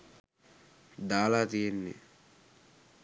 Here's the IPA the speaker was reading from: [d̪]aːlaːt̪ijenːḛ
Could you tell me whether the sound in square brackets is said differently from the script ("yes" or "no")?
no